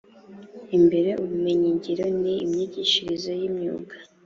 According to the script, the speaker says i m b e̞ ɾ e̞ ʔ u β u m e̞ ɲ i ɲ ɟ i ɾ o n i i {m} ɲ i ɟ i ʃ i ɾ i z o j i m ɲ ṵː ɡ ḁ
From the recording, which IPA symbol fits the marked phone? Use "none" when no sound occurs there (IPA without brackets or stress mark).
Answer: m